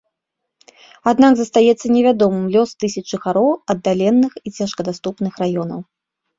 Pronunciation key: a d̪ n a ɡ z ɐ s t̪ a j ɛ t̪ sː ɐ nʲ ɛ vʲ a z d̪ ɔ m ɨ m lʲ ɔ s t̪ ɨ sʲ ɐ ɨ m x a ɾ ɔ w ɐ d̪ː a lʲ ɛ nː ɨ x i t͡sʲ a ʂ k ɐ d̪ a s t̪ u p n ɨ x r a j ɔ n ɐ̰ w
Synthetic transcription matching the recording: a d̪ n a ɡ z ɐ s t̪ a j ɛ t̪ sː ɐ nʲ ɛ vʲ a d̪ ɔ m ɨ m lʲ ɔ s t̪ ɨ sʲ ɐ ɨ x a ɾ ɔ w ɐ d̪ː a lʲ ɛ nː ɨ x i t͡sʲ a ʂ k ɐ d̪ a s t̪ u p n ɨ x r a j ɔ n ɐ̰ w